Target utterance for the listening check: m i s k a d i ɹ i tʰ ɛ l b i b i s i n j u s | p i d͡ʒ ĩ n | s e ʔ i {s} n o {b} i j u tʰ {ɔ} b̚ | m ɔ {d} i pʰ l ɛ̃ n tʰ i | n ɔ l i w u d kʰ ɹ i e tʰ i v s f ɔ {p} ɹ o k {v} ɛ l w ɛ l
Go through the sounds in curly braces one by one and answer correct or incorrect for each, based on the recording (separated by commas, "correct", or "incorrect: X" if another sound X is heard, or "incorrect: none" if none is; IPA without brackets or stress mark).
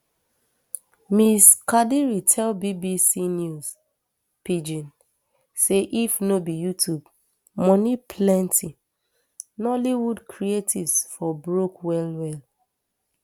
incorrect: f, correct, incorrect: u, incorrect: n, incorrect: b, incorrect: w